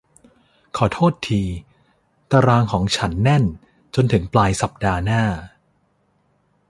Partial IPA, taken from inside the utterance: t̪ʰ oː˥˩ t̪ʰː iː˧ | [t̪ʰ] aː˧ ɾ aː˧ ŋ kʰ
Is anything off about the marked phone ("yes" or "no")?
yes